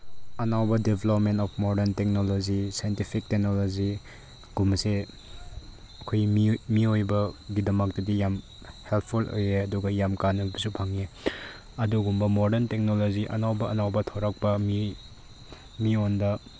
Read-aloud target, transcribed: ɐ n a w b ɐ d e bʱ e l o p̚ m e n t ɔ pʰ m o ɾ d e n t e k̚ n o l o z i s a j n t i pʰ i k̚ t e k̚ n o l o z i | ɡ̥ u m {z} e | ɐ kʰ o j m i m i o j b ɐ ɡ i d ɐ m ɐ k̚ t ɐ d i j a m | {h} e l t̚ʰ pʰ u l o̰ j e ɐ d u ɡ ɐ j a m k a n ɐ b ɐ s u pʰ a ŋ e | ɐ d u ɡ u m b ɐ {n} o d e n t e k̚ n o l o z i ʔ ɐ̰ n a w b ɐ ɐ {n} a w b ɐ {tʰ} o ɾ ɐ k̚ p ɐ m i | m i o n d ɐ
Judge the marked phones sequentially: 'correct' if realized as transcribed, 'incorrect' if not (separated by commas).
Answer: incorrect, correct, incorrect, correct, correct